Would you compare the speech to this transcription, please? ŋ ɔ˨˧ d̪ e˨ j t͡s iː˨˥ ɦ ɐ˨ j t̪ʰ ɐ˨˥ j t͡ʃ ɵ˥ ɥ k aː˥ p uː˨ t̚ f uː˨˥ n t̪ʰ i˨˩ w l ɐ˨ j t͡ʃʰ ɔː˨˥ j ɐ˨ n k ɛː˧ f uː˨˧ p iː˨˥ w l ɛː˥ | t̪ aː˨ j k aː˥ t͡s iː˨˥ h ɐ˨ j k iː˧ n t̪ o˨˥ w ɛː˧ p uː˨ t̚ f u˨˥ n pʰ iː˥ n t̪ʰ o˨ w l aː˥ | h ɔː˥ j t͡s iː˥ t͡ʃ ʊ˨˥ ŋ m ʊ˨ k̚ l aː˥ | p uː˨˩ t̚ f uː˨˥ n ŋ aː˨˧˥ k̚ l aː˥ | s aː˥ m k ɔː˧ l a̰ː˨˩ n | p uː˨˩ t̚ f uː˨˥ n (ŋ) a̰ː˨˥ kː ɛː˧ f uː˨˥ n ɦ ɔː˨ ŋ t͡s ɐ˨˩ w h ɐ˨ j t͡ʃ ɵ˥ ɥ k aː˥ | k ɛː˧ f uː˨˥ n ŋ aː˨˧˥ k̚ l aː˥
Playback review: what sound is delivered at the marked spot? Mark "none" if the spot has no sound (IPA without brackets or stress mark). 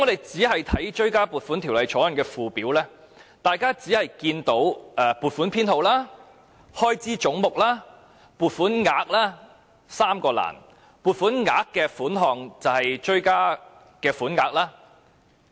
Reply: ŋ